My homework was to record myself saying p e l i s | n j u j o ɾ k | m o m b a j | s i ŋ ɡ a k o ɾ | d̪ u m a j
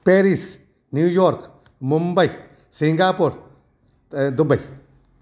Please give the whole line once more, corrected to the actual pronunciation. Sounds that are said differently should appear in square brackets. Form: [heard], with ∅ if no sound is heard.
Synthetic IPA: p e [ɾ] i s | n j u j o ɾ k | m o m b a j | s i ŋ ɡ a [p] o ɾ | d̪ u [b] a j